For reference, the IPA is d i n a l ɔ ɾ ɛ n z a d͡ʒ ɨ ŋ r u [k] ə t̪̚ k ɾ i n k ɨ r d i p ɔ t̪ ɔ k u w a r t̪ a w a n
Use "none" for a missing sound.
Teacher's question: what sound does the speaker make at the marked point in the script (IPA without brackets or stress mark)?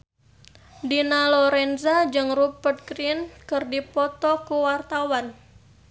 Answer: p